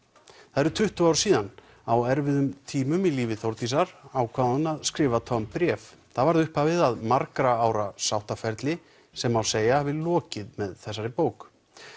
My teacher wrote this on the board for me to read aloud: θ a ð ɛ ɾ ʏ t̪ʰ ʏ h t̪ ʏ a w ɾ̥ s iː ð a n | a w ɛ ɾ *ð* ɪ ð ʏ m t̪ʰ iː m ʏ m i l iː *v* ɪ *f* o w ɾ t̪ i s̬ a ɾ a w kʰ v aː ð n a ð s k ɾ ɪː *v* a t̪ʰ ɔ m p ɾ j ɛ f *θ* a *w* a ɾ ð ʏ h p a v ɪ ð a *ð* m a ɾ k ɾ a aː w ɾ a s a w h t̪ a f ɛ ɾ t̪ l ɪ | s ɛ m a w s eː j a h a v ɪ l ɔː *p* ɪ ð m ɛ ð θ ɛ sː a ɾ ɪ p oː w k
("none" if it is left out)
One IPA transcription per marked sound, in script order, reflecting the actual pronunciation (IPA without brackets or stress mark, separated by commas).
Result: v, v, θ, v, θ, v, ð, c